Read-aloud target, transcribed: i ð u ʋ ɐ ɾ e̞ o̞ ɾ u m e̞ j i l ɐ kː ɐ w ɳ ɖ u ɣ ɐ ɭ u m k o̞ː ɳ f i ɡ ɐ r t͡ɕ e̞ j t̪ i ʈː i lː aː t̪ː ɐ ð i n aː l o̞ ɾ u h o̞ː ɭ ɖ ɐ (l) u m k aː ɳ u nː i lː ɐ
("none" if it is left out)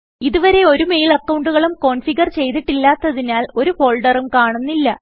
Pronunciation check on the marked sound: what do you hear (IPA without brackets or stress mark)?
r